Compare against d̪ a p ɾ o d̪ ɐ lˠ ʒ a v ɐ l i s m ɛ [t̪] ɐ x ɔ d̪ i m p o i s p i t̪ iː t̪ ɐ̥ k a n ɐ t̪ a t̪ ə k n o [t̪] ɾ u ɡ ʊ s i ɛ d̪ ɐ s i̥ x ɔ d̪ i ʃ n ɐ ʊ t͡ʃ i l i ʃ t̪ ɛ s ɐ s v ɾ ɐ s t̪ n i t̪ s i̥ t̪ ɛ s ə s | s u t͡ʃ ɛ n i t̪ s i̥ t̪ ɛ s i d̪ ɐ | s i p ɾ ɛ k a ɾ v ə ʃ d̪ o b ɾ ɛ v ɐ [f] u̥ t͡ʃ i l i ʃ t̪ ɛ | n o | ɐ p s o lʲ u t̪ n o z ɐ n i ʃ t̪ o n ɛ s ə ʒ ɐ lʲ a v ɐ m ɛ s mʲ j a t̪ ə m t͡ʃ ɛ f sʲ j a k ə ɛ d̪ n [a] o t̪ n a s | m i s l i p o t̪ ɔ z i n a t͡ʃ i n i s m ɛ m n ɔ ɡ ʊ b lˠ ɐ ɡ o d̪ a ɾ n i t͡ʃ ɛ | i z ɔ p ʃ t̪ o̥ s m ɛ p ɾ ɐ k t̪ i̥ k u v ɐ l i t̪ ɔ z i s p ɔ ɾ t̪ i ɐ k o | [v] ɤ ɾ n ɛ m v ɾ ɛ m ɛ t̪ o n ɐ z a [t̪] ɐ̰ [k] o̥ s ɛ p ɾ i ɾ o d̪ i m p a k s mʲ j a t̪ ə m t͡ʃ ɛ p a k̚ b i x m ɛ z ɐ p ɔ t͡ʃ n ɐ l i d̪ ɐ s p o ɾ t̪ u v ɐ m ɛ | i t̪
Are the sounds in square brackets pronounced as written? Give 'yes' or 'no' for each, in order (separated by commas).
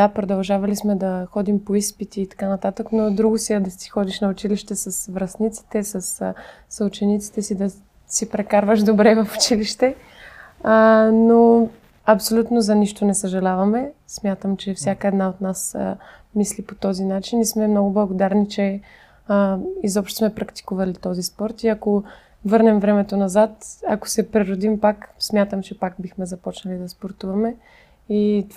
no, no, yes, yes, yes, yes, yes